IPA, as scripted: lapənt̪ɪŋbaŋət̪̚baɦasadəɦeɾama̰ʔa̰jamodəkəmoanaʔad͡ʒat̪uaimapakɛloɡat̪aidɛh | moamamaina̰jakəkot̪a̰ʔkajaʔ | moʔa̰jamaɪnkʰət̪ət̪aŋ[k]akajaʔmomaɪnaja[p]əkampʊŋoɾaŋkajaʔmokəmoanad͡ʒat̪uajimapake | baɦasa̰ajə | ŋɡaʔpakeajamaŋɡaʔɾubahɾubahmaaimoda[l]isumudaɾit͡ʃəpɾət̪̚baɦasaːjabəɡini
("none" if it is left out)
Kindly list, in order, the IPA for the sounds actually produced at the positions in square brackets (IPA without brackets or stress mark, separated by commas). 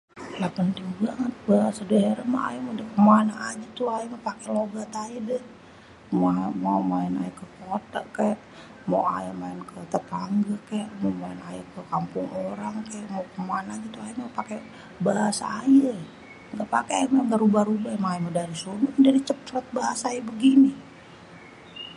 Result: ɡ, k, ɾ